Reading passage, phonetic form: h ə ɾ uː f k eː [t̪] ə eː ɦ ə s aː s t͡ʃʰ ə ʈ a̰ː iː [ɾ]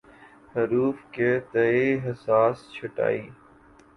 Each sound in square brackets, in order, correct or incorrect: correct, incorrect

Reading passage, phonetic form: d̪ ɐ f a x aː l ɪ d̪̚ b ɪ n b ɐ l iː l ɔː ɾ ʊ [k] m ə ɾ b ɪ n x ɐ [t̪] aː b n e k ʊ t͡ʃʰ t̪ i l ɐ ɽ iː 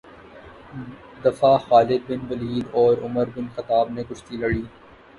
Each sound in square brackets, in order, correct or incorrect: incorrect, correct

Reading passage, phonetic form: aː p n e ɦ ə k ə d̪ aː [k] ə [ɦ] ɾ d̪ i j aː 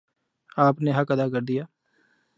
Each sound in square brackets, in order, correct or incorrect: correct, incorrect

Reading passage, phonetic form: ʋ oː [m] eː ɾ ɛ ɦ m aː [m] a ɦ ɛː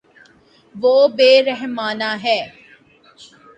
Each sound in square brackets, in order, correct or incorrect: incorrect, incorrect

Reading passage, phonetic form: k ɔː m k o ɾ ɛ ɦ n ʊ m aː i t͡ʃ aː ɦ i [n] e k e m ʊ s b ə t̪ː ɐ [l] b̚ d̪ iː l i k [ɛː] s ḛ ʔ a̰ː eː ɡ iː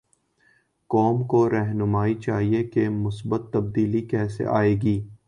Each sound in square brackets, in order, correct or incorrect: incorrect, incorrect, correct

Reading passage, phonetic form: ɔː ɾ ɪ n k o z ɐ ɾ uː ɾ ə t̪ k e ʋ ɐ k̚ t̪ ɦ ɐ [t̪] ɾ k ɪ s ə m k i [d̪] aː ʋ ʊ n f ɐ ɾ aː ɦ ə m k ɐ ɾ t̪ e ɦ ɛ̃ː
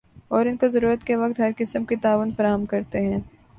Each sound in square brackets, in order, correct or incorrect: incorrect, incorrect

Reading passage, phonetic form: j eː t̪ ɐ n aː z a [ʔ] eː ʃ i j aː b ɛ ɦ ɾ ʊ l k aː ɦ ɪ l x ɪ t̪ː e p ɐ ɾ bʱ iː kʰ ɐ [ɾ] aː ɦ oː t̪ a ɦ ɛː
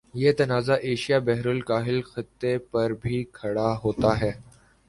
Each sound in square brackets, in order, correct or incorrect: correct, incorrect

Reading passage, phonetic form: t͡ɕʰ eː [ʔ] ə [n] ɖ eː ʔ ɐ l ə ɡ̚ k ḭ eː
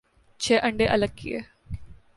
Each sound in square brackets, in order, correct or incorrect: correct, incorrect

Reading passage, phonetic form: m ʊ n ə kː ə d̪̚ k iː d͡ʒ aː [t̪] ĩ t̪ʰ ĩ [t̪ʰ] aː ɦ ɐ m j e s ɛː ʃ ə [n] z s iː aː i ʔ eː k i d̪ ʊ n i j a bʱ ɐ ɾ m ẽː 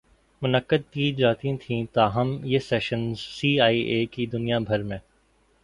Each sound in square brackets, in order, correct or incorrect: correct, incorrect, correct

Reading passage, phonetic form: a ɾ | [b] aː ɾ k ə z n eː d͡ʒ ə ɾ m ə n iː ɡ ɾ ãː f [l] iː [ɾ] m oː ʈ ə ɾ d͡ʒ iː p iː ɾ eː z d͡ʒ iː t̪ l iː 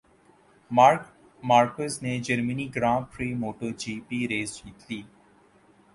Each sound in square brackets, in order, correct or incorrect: incorrect, incorrect, incorrect

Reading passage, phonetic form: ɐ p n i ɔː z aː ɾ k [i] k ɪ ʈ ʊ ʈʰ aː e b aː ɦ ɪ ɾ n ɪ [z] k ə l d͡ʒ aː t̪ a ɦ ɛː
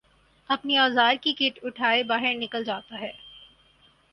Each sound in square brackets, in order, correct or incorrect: correct, incorrect

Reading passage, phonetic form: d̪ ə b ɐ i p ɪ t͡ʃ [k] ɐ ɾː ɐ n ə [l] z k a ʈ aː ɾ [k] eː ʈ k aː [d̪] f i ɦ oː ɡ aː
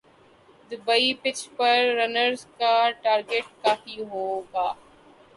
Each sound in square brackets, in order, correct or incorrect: incorrect, incorrect, incorrect, incorrect

